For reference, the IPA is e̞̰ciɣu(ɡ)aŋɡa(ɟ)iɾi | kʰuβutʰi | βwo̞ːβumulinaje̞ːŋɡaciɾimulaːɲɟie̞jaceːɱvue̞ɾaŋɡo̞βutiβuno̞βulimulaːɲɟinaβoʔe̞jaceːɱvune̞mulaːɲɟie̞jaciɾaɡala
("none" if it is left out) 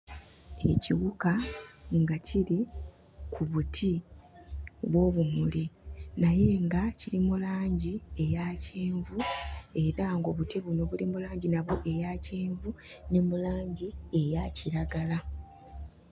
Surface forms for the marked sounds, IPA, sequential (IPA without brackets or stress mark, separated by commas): k, c